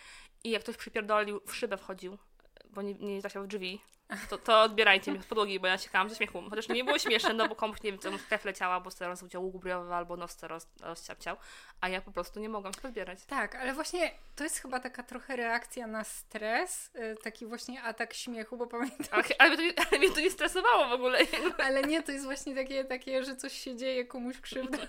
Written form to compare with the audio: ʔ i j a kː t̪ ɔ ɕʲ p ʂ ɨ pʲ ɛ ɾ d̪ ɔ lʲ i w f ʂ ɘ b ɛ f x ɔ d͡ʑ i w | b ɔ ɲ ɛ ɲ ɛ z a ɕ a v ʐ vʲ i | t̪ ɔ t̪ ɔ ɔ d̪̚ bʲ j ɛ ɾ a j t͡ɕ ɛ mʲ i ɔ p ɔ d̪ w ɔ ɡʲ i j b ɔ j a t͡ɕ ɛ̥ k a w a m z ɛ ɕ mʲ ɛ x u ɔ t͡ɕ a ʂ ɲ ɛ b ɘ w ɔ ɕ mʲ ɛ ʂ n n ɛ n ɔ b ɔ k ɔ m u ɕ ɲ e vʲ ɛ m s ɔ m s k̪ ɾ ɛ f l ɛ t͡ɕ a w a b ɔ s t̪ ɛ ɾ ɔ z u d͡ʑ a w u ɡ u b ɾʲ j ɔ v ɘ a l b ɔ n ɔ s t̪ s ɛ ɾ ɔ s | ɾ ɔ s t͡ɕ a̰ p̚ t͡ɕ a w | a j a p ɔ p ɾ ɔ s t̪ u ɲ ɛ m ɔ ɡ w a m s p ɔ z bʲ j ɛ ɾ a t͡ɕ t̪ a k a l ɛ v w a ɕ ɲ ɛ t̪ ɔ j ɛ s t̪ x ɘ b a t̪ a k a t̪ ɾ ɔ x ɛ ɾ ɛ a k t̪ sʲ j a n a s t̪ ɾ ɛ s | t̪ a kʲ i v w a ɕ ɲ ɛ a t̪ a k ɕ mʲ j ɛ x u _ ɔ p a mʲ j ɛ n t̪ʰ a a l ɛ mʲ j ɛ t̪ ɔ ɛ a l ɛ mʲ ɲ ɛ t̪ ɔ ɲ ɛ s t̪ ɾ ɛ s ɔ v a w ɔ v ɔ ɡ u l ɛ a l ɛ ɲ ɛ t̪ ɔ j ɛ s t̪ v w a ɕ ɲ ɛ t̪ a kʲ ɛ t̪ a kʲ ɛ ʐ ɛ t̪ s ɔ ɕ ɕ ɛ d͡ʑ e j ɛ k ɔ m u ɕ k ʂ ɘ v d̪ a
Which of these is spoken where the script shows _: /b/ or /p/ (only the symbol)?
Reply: b